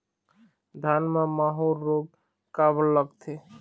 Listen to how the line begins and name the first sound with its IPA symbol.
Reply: d̪ʱ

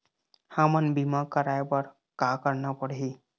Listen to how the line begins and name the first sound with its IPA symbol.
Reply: h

